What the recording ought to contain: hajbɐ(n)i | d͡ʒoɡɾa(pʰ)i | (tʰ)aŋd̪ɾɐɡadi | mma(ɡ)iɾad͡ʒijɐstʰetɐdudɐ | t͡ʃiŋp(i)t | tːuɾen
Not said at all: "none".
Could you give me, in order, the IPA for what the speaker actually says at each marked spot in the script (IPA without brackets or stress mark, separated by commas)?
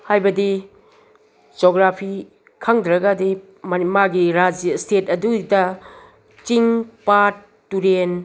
d, pʰ, kʰ, ɡ, a